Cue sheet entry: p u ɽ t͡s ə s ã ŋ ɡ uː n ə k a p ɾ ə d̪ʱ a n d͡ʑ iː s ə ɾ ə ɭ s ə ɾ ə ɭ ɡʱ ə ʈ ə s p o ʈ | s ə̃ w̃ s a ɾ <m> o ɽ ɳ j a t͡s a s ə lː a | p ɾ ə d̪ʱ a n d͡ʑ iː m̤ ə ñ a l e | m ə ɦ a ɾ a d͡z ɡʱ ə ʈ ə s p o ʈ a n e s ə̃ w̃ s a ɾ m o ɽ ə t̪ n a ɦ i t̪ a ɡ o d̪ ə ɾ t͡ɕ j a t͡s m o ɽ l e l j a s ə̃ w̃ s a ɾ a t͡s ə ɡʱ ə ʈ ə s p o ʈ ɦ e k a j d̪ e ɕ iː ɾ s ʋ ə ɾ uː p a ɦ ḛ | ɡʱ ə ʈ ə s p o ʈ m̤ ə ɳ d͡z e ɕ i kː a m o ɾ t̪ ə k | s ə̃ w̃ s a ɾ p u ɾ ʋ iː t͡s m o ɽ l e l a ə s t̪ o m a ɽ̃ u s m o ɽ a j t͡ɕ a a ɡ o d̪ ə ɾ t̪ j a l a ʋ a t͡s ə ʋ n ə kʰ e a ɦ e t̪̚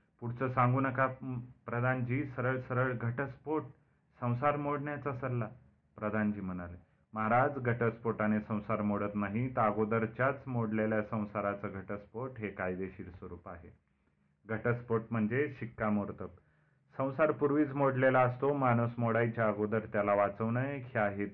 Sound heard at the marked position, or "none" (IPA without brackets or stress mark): m